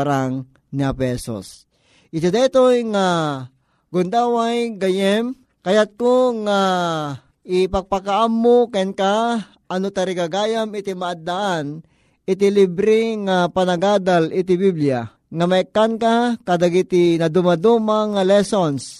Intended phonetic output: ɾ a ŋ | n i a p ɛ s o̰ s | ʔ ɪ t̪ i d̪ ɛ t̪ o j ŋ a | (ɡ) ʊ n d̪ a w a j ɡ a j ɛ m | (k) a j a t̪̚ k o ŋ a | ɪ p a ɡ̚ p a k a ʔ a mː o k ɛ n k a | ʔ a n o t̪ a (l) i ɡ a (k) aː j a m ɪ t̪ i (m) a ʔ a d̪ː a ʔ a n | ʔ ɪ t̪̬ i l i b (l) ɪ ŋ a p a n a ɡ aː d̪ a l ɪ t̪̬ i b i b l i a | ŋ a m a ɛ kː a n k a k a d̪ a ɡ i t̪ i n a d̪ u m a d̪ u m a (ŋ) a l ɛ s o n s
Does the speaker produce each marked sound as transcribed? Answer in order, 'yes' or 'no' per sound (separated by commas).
yes, yes, no, no, yes, no, yes